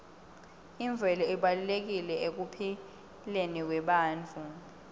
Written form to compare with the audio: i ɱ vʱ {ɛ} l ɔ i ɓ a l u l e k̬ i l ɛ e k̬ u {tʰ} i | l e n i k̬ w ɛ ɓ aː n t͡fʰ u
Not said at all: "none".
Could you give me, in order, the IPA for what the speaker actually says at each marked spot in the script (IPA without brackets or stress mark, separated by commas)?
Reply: ɛ, pʰ